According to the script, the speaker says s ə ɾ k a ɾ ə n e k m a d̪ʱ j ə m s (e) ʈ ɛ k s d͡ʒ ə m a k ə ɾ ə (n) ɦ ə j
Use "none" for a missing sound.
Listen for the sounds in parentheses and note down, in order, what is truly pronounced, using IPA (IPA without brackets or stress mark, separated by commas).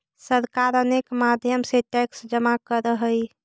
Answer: e, none